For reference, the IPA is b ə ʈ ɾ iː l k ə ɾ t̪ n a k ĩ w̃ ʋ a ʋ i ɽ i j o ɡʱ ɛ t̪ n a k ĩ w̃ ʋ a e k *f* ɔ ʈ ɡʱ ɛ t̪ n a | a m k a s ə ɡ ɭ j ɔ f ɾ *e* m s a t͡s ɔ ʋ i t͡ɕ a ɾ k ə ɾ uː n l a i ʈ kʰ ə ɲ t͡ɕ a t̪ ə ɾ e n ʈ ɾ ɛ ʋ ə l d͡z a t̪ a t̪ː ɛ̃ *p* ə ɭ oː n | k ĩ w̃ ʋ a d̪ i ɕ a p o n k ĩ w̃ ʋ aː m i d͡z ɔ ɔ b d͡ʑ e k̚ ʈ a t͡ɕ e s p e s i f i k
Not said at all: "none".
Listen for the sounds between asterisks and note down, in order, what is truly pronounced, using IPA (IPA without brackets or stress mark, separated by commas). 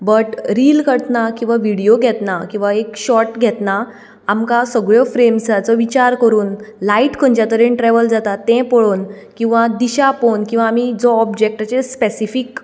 ɕ, e, p